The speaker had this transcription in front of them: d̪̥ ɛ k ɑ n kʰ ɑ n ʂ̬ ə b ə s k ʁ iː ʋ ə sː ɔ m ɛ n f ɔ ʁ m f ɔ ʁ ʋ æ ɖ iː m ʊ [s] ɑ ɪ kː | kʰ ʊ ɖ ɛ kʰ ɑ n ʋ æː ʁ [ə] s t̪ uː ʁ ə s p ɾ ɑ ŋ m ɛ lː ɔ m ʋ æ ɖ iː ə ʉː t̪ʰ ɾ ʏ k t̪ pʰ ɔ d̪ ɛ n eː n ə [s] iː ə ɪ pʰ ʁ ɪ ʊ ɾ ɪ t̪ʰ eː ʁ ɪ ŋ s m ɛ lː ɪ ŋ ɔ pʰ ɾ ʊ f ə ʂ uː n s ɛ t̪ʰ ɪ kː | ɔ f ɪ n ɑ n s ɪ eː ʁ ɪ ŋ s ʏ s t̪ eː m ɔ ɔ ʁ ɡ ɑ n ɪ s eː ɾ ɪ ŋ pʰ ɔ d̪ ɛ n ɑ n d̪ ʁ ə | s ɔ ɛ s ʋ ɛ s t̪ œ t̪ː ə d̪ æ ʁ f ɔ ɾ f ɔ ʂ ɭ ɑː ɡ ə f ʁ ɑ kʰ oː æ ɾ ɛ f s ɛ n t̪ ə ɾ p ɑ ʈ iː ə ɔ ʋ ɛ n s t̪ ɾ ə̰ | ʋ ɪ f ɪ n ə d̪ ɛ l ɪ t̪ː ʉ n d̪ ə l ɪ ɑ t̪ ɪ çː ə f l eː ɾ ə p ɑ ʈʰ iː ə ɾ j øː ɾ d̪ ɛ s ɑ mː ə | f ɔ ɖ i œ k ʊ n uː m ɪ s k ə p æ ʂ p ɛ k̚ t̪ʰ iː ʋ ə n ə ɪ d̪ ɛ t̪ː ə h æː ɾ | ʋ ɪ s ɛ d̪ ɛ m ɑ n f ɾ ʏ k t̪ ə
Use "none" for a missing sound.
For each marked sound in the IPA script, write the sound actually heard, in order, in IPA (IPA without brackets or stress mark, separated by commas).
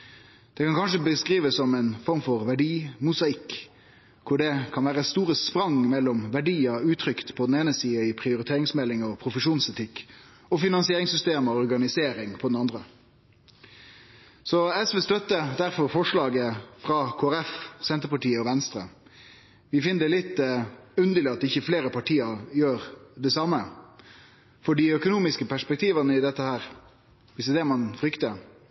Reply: s, ə, s